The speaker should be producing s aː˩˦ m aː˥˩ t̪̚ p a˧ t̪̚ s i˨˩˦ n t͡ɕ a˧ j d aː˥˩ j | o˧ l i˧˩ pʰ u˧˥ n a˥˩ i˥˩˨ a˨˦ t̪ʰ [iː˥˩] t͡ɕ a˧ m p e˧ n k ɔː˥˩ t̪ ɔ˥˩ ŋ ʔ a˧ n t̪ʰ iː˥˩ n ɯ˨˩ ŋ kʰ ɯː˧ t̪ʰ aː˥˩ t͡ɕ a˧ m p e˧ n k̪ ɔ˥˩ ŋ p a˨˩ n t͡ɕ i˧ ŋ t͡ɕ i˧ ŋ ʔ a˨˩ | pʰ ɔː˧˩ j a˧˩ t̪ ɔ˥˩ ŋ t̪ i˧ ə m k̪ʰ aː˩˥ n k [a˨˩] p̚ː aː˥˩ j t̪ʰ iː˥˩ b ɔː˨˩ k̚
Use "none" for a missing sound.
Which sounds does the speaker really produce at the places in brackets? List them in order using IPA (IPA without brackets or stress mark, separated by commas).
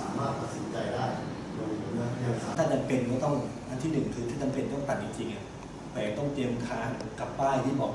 aː˥˩, a˨˩